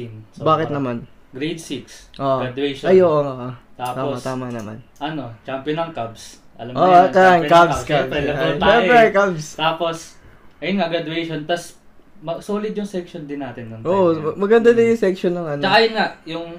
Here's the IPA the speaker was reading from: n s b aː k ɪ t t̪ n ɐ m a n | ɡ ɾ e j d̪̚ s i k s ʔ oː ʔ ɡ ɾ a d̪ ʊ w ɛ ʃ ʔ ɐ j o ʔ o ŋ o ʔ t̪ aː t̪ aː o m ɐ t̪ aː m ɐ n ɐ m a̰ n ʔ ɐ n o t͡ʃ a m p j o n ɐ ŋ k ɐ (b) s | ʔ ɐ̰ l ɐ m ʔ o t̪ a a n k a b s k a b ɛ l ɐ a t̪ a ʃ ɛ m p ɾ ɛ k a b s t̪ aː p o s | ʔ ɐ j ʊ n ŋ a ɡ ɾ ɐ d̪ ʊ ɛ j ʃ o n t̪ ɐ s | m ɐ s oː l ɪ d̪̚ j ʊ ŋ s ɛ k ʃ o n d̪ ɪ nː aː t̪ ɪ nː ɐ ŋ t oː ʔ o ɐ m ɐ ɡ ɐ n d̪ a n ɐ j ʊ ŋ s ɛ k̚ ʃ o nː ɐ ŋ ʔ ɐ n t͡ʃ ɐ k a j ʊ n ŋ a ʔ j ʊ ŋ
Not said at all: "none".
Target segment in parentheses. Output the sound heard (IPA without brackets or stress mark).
b